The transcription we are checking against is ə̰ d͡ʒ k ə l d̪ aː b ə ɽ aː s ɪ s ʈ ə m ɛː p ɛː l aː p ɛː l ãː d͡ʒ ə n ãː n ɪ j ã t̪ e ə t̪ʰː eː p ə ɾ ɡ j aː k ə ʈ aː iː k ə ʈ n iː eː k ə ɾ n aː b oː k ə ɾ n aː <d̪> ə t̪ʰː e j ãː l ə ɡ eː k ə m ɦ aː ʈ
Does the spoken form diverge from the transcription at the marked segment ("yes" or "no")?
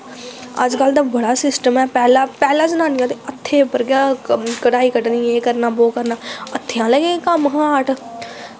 yes